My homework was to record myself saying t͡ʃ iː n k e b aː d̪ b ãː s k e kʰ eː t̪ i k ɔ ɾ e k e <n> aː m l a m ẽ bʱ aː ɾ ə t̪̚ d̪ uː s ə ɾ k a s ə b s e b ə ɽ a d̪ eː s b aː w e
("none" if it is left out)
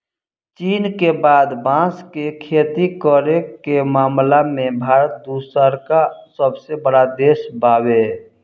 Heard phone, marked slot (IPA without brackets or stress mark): m